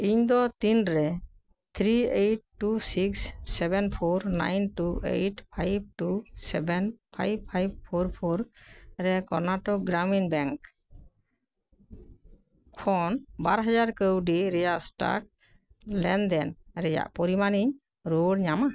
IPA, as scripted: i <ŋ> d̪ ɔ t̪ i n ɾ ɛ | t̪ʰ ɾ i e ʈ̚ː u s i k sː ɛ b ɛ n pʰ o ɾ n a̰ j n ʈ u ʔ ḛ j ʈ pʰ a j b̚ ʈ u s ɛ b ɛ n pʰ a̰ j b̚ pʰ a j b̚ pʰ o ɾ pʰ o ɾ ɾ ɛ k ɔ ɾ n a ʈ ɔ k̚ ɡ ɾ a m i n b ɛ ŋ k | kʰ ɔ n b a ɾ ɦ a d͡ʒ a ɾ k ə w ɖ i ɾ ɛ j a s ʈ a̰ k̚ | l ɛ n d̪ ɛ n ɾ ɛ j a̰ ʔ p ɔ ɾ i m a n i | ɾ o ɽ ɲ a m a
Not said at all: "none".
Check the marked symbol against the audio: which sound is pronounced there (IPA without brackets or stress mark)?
ɲ